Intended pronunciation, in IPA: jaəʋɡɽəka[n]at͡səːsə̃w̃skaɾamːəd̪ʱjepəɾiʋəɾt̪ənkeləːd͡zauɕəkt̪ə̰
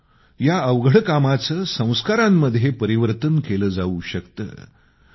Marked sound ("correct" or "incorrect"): incorrect